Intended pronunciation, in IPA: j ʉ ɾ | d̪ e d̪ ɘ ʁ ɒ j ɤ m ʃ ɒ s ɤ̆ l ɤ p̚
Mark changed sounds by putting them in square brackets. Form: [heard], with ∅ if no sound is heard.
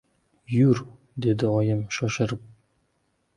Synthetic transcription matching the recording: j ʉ ɾ | d̪ e d̪ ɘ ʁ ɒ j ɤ m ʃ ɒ [ʃ] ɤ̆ [ɾ] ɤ p̚